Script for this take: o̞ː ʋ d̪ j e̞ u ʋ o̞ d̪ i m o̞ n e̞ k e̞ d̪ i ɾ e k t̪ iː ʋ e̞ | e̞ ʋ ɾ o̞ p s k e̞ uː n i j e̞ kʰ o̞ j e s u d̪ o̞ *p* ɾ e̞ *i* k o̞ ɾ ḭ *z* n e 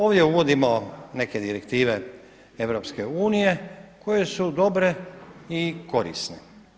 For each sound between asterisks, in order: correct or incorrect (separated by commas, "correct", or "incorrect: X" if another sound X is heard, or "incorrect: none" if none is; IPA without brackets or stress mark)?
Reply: incorrect: b, correct, incorrect: s